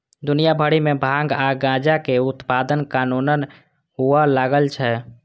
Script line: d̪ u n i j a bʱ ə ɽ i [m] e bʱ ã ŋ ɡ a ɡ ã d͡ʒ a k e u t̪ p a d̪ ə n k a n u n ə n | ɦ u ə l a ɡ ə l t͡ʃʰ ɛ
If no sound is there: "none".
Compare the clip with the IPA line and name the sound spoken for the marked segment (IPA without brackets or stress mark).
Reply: m